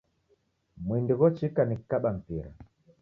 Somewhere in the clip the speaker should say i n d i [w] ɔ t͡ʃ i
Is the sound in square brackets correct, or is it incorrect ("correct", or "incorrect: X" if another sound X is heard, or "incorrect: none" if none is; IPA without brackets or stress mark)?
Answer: incorrect: ɣ